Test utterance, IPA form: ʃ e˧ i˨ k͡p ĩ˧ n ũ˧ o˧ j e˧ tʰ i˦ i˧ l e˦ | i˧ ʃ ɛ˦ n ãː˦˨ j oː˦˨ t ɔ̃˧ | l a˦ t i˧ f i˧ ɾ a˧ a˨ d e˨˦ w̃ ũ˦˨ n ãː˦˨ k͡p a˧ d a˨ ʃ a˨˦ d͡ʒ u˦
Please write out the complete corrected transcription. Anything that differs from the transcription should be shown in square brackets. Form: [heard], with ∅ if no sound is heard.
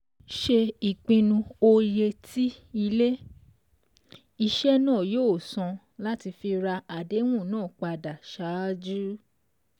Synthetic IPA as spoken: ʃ e˧ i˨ k͡p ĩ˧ n ũ˧ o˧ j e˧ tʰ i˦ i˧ l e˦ | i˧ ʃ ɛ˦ n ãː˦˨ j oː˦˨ [s] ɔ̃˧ | l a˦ t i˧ f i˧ ɾ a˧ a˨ d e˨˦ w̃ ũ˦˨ n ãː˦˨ k͡p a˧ d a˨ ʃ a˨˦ d͡ʒ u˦